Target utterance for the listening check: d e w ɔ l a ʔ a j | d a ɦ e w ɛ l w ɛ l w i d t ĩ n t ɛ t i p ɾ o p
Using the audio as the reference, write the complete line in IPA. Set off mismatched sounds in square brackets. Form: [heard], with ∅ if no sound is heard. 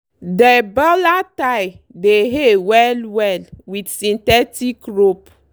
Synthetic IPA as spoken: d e [b] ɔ l a [t] a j | d [e] ɦ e w ɛ l w ɛ l w i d [s] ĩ n t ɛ t i [k] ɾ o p